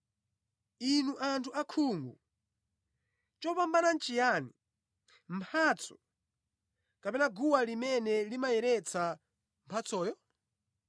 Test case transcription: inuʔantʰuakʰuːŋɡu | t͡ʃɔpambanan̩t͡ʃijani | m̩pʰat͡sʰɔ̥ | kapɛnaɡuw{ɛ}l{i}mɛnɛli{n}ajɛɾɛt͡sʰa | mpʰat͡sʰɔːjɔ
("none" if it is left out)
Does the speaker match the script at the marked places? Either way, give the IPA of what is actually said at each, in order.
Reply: a, i, m

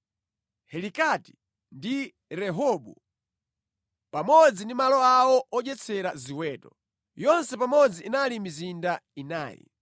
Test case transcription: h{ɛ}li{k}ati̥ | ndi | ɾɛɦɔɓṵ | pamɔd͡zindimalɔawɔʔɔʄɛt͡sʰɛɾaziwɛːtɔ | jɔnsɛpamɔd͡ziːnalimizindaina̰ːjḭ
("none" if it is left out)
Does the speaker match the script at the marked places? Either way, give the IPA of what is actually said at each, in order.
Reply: ɛ, k

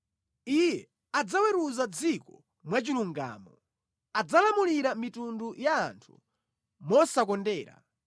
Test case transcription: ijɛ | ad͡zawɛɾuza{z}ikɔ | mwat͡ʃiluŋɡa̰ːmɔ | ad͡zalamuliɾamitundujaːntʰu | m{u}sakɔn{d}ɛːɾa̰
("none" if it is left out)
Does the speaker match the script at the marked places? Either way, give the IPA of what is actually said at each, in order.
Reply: d͡z, ɔ, d

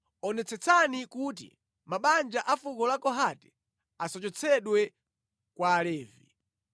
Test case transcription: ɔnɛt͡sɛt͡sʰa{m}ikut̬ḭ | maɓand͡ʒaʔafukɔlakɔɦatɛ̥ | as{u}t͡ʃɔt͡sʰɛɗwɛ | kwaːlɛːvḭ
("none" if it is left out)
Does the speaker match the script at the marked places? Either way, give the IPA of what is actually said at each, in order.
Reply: n, ɔ

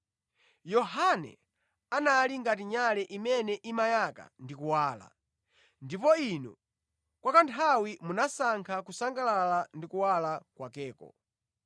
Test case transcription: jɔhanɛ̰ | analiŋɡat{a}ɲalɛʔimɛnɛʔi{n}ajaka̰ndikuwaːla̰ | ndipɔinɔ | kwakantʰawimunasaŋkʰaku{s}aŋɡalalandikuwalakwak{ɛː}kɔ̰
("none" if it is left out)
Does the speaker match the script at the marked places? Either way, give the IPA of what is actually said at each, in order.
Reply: i, m, s, ɛː

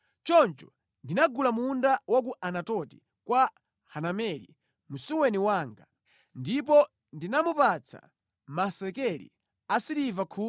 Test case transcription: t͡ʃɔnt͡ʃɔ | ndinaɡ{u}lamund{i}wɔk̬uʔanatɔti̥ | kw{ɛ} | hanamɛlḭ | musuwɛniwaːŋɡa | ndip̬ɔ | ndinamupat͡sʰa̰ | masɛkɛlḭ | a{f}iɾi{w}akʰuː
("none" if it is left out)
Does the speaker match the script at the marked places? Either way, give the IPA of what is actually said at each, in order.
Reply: u, a, a, s, v

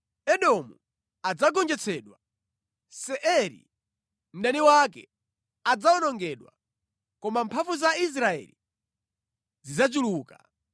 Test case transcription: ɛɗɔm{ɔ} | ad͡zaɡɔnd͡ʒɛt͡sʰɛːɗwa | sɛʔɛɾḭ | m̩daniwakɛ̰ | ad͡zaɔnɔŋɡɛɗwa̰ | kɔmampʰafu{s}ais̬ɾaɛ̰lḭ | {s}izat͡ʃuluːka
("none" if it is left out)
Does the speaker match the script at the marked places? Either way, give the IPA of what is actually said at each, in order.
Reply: u, z, z

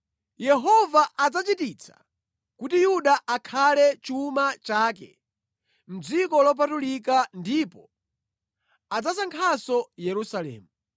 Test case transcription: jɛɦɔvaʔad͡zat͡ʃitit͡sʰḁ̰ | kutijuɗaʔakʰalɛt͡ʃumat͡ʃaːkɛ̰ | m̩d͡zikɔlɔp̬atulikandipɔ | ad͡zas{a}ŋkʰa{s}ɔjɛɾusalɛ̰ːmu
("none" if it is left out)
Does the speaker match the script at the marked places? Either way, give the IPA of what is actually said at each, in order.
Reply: a, s

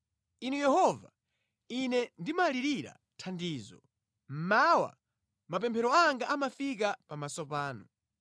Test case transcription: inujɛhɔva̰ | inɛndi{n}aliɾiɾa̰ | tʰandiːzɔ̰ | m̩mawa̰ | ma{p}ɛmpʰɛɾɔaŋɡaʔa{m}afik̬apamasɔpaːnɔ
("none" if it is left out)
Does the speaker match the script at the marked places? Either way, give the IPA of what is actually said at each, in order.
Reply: m, p, m

